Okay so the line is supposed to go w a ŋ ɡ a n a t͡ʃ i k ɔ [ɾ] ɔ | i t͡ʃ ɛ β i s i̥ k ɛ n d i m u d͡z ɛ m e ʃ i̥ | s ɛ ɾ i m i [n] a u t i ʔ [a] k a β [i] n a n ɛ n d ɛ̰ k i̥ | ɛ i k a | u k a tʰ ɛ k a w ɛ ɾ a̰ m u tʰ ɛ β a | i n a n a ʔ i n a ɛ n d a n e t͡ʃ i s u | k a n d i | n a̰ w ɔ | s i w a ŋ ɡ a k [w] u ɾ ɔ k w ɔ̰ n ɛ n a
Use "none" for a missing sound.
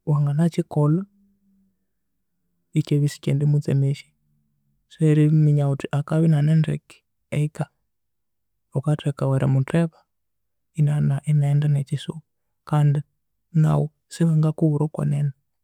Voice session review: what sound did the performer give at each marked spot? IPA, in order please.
l, ɲ, a, i, u

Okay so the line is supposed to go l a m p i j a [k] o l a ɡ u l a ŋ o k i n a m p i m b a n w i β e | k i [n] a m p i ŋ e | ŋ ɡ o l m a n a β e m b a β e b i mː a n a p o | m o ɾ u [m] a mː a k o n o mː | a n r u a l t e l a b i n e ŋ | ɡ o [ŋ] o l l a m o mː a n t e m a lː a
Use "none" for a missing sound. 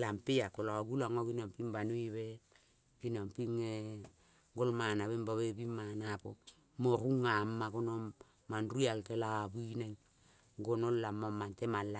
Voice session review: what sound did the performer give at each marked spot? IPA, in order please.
k, n, ŋ, n

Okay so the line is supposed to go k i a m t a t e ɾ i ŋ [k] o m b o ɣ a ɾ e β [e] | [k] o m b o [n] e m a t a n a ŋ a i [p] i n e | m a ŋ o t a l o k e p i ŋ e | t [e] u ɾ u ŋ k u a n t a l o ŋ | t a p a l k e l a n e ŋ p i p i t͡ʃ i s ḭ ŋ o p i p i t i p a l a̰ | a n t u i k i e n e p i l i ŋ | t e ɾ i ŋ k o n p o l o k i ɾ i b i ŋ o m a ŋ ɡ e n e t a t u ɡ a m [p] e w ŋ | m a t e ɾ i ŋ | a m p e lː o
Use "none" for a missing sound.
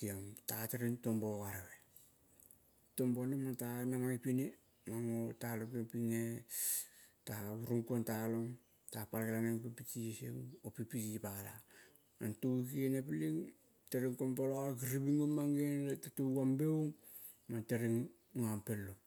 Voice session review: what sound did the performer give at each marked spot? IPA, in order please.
t, e, t, n, p, a, b

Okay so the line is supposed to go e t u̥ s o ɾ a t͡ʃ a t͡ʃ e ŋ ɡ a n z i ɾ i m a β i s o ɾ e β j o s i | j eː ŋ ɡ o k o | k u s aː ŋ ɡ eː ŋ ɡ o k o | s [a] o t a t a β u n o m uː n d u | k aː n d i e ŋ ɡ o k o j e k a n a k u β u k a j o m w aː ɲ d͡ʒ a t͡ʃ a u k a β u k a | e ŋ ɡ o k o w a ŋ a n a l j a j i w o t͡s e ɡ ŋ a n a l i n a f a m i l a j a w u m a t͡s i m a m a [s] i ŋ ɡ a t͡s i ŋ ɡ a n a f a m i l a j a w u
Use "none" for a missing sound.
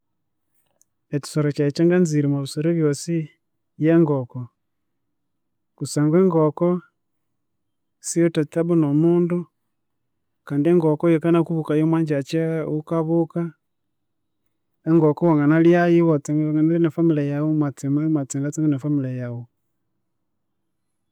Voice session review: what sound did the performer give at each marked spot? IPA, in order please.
i, t͡s

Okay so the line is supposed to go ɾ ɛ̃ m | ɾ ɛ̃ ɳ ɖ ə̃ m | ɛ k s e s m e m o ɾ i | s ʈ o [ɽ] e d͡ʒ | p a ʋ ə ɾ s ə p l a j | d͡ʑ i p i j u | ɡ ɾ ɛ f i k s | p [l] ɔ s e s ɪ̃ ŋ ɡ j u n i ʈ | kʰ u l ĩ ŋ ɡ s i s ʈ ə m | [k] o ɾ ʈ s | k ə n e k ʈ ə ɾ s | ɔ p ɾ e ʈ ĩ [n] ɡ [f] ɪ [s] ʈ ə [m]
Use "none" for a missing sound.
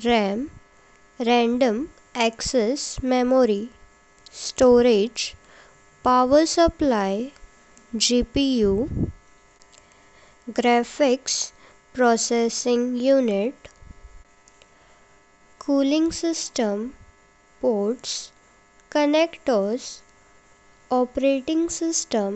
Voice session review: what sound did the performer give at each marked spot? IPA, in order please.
ɾ, ɾ, p, ŋ, s, s, m

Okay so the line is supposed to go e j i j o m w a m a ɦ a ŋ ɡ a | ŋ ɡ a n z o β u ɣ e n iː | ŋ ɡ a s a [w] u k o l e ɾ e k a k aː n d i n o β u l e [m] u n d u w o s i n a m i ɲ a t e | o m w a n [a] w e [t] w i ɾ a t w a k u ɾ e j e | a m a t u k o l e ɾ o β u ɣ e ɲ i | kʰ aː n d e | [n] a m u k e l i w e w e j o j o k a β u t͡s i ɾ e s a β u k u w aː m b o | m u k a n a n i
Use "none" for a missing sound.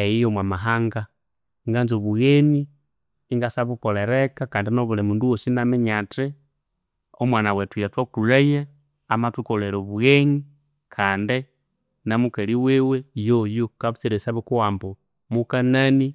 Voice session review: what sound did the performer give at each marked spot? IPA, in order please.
β, m, a, t, n

